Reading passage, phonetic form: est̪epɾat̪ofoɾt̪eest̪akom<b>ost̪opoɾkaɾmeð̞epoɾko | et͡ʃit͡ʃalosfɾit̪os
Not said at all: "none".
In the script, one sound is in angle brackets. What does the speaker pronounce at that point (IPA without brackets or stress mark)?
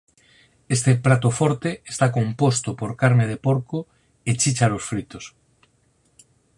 p